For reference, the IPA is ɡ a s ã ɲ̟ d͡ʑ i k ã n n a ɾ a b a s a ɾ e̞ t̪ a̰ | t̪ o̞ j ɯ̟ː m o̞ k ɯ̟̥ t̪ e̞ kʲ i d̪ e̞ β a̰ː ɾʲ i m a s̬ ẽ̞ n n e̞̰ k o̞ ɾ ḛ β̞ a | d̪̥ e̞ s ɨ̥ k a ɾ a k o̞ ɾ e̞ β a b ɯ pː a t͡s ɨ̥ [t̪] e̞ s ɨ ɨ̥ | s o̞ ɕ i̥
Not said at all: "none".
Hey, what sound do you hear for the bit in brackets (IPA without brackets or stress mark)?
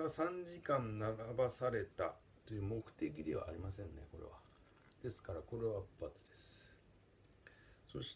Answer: d̪